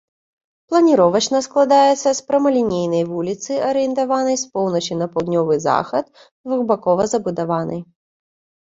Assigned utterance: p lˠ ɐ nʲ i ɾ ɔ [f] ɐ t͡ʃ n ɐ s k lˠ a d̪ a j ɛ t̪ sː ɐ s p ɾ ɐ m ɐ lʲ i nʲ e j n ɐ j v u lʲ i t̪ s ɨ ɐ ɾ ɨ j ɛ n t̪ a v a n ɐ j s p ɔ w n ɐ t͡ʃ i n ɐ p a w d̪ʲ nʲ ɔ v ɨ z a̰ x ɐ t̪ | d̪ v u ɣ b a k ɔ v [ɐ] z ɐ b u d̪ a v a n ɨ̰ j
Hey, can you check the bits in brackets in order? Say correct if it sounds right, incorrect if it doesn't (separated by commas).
incorrect, correct